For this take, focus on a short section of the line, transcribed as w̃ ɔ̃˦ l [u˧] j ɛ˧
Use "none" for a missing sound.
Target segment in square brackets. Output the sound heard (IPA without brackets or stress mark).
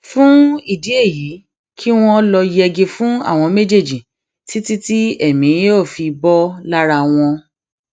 ɔ˧